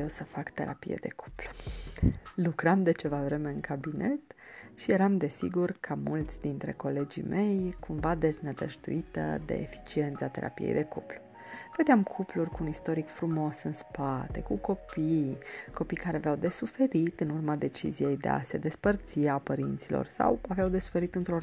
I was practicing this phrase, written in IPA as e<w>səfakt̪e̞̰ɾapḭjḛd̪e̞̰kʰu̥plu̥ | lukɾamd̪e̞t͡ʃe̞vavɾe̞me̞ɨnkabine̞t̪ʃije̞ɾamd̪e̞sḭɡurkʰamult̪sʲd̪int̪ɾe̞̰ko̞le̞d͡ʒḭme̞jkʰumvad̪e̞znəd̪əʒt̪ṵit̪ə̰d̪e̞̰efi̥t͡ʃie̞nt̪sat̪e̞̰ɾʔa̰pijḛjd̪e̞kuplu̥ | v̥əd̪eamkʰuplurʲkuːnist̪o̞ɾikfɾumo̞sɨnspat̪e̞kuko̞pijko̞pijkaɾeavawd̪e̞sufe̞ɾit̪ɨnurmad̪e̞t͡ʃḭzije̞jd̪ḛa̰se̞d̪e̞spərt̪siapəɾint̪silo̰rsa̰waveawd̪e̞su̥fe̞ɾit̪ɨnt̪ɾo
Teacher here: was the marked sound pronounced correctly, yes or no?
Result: yes